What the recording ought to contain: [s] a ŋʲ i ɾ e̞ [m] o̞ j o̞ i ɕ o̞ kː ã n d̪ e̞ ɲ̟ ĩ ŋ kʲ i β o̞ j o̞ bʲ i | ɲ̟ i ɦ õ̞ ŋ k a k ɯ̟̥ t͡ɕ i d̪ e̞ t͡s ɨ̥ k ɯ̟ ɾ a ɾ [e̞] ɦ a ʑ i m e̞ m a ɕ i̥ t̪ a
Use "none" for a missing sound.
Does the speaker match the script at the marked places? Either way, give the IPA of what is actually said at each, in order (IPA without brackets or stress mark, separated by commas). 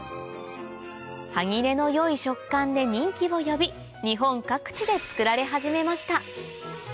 h, n, e̞